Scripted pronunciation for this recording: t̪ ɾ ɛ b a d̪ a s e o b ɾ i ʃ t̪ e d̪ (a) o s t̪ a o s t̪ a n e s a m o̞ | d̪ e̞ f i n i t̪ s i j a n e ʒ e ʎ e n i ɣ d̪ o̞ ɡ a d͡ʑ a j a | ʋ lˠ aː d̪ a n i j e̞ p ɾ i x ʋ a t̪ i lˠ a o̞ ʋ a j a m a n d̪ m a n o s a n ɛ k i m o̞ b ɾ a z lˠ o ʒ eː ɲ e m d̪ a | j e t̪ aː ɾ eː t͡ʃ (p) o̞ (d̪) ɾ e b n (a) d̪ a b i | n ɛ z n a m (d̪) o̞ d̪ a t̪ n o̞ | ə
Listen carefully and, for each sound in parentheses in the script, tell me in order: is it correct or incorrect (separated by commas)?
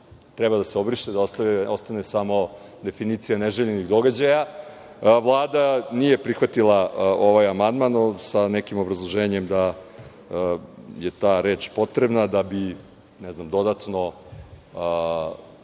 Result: correct, correct, incorrect, correct, correct